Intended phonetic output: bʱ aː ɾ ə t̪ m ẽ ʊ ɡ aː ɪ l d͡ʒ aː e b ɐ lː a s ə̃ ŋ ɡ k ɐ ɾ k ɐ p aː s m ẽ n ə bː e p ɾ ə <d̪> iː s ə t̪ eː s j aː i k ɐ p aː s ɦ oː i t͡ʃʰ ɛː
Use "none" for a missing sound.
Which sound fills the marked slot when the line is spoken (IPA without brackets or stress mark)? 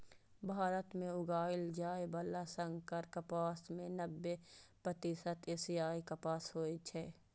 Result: t̪